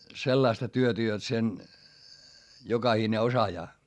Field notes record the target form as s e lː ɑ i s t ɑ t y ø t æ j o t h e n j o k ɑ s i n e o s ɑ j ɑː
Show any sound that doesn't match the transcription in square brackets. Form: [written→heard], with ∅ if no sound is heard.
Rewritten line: s e lː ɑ i s t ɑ t y ø t æ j o t [h→s] e n j o k ɑ [s→h] i n e o s ɑ j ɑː